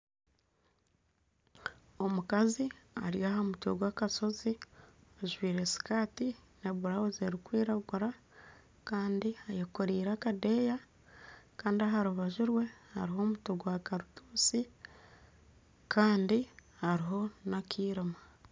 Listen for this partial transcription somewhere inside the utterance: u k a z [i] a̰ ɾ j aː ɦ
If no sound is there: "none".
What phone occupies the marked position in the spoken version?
i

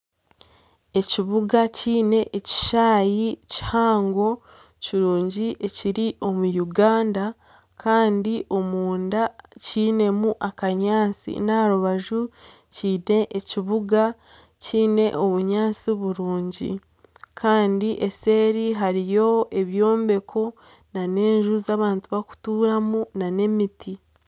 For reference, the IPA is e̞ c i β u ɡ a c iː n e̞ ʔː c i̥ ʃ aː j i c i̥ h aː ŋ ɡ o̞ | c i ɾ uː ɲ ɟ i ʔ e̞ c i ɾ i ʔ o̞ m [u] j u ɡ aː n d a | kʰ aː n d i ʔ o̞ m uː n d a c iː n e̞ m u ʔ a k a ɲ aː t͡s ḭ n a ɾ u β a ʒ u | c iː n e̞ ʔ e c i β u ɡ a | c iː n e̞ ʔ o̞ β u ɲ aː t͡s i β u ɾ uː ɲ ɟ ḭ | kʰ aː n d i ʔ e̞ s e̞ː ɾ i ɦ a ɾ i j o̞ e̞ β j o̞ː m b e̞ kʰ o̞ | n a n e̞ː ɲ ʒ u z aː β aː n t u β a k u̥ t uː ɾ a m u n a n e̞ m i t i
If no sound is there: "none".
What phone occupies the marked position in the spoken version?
u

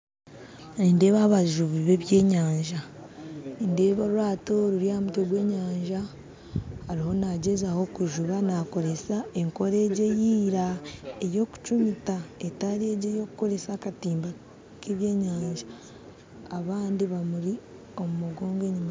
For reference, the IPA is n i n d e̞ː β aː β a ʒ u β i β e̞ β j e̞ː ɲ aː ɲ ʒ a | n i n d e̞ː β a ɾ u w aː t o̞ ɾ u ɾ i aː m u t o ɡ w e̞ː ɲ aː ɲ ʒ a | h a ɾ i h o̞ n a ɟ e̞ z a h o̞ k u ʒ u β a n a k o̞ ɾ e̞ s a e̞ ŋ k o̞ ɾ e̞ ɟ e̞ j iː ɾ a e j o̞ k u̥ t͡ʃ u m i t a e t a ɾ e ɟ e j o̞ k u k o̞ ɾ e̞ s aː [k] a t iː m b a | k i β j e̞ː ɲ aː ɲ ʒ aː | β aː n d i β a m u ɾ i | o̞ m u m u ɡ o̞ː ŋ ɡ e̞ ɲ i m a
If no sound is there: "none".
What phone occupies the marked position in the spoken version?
k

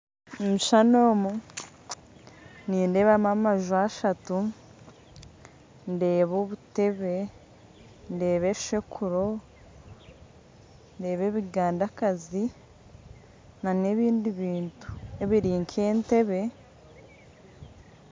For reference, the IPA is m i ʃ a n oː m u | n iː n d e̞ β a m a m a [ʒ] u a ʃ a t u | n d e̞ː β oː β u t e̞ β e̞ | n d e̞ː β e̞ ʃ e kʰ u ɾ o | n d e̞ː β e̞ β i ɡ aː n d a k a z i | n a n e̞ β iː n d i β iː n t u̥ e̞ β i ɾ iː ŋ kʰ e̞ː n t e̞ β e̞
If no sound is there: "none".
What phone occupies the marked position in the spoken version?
ʒ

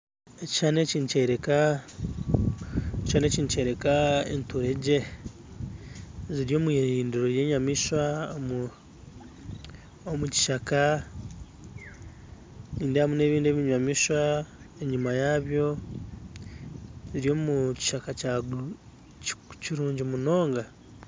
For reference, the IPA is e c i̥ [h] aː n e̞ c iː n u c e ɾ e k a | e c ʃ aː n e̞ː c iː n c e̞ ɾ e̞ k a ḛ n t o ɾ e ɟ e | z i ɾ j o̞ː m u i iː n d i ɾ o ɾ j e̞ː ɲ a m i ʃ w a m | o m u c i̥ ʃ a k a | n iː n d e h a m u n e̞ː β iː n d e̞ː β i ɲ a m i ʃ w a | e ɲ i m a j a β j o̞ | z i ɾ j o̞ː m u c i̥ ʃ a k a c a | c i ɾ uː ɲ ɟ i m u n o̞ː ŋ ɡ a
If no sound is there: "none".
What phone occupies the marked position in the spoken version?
ʃ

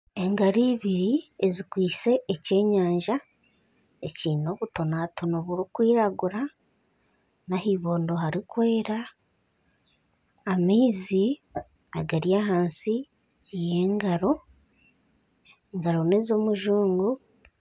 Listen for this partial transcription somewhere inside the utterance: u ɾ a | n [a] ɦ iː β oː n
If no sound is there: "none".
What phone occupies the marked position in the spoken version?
a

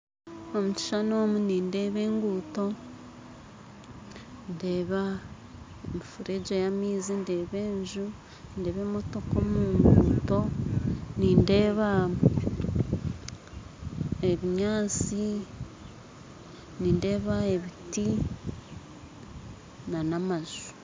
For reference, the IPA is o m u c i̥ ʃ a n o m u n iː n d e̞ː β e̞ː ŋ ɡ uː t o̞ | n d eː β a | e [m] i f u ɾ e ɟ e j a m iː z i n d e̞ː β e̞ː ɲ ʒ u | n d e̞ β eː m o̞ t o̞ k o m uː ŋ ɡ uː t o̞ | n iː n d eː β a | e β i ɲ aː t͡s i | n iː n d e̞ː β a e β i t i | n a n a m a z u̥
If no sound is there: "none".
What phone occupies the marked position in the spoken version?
m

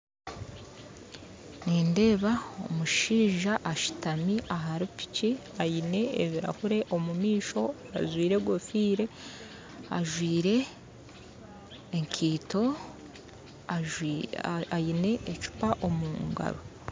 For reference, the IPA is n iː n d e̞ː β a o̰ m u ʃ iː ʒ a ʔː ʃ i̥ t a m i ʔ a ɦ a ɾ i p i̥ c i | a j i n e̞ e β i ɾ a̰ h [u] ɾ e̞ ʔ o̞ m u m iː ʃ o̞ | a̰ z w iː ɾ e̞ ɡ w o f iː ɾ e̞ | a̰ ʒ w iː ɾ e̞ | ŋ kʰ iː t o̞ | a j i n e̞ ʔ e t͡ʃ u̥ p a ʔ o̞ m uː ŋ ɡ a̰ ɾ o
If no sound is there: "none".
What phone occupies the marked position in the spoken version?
u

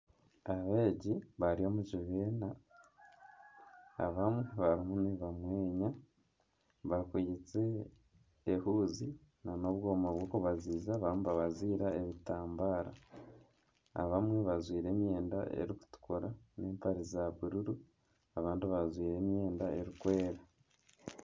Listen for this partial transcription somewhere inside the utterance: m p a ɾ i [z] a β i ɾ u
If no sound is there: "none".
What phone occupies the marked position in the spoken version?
z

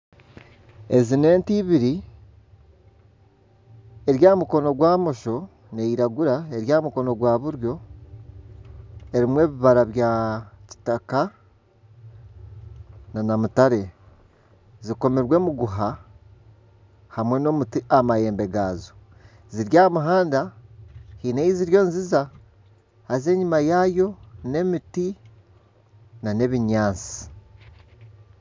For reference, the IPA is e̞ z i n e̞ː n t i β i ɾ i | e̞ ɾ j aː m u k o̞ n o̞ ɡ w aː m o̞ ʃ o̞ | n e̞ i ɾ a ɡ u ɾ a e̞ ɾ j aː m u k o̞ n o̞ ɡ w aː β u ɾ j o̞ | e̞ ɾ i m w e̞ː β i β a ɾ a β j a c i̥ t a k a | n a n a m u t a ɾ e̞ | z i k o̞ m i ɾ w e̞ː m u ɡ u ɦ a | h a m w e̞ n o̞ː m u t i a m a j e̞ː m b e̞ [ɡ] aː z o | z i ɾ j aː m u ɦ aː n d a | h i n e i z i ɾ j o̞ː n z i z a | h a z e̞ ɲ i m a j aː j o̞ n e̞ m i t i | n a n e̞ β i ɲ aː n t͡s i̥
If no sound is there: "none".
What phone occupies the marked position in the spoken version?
ɡ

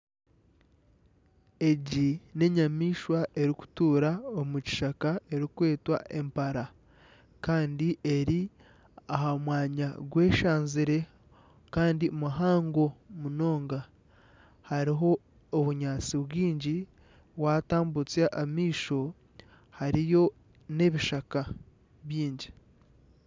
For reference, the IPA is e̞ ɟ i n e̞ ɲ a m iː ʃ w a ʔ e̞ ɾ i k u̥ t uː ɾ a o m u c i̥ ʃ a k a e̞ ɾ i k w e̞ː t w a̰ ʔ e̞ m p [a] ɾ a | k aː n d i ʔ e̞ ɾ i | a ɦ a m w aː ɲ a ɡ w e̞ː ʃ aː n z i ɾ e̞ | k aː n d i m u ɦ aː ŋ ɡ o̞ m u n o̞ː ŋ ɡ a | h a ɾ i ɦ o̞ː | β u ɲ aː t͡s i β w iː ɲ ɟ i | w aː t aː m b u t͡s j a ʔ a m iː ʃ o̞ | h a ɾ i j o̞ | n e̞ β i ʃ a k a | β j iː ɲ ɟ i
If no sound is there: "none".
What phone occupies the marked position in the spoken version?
a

